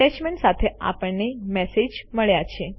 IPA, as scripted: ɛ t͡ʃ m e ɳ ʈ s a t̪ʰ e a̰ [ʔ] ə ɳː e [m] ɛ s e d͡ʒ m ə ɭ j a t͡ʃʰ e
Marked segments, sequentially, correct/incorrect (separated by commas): incorrect, correct